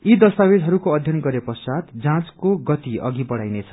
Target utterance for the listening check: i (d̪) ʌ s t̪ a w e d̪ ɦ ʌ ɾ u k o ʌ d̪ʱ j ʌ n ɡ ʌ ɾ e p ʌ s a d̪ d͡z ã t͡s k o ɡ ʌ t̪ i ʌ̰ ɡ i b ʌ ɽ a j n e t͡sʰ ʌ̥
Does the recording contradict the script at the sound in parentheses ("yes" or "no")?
no